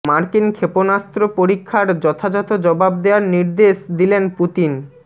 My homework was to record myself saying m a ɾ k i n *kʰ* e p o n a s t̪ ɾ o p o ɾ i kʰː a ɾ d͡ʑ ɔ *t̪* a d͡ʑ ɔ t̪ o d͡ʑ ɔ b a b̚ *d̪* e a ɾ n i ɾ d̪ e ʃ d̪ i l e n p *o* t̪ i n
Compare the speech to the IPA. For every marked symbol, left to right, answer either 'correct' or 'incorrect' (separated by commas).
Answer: correct, incorrect, correct, incorrect